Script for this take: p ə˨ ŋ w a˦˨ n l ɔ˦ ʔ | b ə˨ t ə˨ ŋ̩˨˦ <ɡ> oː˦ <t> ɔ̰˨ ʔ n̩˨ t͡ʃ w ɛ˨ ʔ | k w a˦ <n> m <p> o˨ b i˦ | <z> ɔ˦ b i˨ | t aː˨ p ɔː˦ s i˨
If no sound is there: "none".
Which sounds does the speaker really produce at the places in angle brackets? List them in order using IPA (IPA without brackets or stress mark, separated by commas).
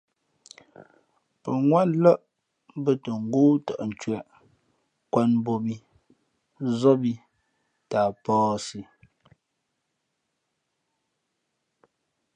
ɡ, t, n, b, z